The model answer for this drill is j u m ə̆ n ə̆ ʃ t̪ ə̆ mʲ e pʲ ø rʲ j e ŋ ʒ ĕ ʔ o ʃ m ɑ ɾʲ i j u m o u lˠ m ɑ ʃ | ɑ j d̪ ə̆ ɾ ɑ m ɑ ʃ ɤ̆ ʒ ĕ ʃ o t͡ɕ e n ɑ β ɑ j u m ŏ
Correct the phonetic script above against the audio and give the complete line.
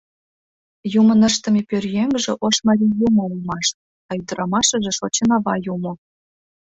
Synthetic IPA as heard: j u m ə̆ n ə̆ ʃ t̪ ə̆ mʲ e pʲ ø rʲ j e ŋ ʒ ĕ ʔ o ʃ m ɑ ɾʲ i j u m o u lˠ m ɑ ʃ | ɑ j d̪ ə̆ ɾ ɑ m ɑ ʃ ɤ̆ ʒ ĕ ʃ o t͡ɕ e n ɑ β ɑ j u m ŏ